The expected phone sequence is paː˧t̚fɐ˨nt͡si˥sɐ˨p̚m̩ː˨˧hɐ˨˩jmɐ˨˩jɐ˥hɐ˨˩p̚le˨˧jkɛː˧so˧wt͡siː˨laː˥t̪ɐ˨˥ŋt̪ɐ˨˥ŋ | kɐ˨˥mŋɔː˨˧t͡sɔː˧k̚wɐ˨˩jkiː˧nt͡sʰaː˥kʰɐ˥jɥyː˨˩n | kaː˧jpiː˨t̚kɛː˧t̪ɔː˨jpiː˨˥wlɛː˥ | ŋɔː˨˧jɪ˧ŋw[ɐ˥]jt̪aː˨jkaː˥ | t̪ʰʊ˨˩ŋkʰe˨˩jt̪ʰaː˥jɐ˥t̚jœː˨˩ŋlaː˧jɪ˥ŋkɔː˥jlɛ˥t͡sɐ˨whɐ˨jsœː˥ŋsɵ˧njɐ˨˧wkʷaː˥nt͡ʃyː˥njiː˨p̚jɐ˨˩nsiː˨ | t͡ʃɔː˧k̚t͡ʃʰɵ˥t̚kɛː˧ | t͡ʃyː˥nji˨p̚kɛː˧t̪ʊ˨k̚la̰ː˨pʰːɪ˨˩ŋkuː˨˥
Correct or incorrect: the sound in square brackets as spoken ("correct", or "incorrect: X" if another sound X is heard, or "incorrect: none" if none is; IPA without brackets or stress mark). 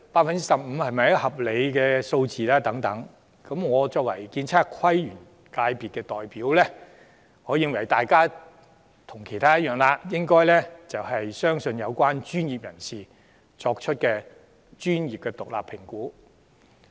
incorrect: ɐ˨˩